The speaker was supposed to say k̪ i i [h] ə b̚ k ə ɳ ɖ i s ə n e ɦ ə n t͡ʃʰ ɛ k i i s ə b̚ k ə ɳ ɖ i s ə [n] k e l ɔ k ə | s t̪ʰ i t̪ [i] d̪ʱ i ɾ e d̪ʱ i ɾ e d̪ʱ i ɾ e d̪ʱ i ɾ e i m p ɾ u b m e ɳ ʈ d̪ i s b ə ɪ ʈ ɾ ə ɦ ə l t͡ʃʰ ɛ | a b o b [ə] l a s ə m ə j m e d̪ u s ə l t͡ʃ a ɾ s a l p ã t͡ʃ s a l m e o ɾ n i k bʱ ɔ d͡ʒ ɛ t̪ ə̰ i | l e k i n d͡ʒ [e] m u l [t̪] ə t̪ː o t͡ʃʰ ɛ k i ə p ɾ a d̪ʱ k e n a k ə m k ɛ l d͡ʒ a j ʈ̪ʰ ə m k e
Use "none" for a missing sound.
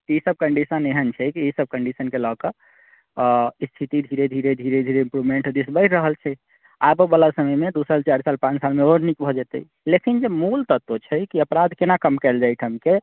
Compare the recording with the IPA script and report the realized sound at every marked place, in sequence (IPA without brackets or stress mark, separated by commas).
s, n, i, ə, e, t̪